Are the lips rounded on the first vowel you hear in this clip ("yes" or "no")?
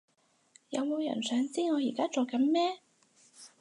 no